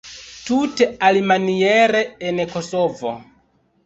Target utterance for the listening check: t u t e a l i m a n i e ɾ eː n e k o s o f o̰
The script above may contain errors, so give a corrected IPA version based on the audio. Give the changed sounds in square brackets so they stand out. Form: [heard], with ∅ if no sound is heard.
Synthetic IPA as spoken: t u t e a l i m a n i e ɾ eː n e k o s o [v] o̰